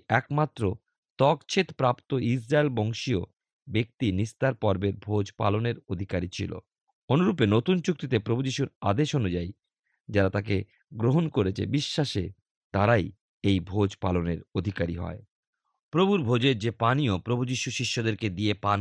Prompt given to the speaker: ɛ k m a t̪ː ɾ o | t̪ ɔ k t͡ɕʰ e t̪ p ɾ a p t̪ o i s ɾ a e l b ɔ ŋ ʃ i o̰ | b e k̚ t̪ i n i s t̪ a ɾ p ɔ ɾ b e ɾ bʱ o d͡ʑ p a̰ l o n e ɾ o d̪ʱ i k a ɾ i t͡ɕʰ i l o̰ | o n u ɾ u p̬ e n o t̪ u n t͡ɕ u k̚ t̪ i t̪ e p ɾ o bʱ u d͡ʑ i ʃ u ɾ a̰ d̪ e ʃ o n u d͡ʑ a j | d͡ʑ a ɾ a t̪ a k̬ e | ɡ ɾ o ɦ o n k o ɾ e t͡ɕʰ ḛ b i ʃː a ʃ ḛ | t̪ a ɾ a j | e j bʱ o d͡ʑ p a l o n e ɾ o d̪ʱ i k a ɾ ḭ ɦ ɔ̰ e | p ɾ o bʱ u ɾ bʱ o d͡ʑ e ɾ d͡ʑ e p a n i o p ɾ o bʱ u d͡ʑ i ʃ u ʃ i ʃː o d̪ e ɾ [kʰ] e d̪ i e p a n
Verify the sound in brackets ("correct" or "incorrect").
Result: incorrect